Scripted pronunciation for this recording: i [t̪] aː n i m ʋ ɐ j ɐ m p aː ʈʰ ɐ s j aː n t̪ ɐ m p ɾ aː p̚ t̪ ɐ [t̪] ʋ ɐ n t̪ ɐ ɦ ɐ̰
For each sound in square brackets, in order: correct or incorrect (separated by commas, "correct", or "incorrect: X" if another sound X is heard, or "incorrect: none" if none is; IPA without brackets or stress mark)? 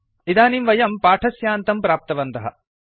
incorrect: d̪, incorrect: none